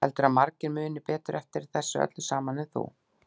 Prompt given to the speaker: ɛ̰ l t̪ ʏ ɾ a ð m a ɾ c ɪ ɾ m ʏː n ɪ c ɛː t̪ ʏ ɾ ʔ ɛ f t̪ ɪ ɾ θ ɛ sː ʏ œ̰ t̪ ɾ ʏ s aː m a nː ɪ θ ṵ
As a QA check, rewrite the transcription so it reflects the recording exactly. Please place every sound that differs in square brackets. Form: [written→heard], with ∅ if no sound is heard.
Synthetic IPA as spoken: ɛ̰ l t̪ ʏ ɾ a ð m a ɾ c ɪ ɾ m ʏː n ɪ [c→p] ɛː t̪ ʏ ɾ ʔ ɛ f t̪ ɪ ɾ θ ɛ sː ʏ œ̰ t̪ [ɾ→l] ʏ s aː m a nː ɪ θ ṵ